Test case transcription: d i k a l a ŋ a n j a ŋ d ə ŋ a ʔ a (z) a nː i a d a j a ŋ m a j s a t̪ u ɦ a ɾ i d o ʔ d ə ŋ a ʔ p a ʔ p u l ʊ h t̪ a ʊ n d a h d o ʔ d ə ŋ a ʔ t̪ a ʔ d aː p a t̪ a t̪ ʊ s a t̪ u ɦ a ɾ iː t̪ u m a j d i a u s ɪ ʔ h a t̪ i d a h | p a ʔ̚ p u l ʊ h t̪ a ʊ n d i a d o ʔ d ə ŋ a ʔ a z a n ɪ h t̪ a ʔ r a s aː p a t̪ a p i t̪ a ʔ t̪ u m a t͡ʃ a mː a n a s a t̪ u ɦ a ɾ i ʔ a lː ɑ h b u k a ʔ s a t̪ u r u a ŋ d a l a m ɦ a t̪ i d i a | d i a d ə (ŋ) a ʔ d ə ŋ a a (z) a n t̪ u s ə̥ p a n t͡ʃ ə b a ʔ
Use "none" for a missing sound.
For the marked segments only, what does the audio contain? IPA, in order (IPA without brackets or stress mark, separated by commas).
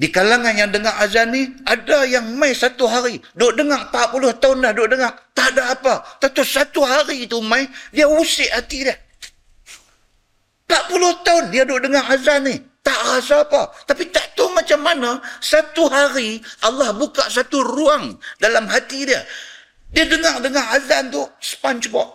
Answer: z, ŋ, z